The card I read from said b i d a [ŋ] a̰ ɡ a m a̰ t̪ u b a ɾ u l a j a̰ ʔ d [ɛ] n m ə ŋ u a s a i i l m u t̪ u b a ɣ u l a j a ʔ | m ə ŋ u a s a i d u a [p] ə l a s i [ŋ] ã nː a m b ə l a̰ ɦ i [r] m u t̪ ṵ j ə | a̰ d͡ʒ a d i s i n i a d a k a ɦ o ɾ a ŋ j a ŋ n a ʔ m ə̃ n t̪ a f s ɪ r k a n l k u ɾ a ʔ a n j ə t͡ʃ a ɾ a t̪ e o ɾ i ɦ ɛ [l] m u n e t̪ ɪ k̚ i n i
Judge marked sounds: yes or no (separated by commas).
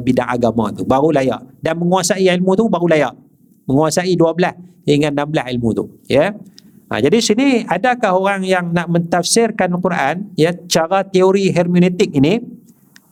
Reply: yes, no, no, yes, no, no